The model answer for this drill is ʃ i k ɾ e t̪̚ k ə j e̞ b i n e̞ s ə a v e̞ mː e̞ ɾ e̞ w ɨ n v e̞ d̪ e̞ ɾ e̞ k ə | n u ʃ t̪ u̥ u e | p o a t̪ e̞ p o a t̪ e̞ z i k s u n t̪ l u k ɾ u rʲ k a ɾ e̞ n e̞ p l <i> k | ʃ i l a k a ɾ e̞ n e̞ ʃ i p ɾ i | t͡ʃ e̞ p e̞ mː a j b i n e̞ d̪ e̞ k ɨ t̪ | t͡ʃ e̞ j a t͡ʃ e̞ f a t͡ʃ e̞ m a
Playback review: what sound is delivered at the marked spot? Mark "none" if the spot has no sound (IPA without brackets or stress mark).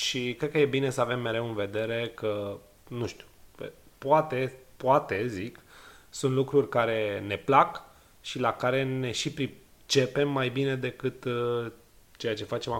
a